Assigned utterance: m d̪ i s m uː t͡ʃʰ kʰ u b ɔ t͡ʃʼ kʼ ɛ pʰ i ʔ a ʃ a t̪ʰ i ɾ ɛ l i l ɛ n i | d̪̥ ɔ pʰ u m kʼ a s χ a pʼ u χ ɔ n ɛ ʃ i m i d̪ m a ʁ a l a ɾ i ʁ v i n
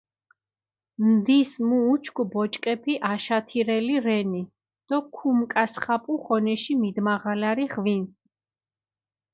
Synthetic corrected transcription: m d̪ i s m uː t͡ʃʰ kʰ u b ɔ t͡ʃʼ kʼ ɛ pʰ i ʔ a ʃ a t̪ʰ i ɾ ɛ l i ɾ ɛ n i | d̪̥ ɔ kʰ u m kʼ a s χ a pʼ u χ ɔ n ɛ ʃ i m i d̪ m a ʁ a l a ɾ i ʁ v i n